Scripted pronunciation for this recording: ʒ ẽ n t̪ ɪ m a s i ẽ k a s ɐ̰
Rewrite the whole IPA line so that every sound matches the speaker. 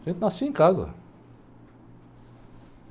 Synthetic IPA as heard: ʒ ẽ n t̪ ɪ n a s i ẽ k a z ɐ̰